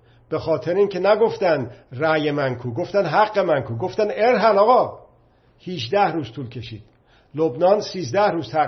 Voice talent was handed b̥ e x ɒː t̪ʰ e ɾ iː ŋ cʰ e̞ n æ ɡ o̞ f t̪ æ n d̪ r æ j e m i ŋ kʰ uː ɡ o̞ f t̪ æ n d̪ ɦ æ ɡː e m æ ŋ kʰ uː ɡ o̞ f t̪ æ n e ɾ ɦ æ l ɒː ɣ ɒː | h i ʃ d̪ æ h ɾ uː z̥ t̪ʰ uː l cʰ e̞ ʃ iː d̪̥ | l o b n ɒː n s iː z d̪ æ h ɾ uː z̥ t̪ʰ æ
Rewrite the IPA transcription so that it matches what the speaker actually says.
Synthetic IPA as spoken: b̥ e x ɒː t̪ʰ e ɾ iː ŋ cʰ e̞ n æ ɡ o̞ f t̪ æ n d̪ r æ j e m æ ŋ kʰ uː ɡ o̞ f t̪ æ n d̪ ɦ æ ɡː e m æ ŋ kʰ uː ɡ o̞ f t̪ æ n e ɾ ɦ æ l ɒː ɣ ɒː | h i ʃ d̪ æ h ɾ uː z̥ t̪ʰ uː l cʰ e̞ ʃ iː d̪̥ | l o b n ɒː n s iː z d̪ æ h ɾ uː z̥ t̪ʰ æ